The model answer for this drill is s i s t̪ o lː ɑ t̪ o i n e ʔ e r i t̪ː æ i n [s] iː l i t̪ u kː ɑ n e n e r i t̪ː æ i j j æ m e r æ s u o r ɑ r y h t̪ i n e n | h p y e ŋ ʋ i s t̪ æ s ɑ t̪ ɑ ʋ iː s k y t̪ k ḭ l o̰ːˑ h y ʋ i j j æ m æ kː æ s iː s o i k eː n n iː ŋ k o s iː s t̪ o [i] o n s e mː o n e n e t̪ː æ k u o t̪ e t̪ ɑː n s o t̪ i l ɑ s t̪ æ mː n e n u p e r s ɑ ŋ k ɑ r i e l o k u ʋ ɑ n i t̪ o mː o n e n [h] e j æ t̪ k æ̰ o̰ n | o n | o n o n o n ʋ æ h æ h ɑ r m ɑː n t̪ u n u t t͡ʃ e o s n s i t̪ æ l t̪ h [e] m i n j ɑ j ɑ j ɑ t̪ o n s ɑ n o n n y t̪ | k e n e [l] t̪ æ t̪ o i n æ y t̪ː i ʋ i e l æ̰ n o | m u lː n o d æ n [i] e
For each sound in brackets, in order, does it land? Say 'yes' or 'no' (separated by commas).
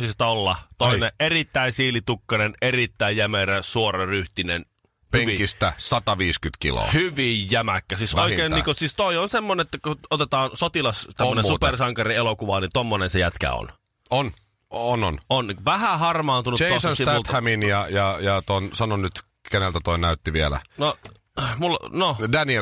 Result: yes, yes, no, no, yes, yes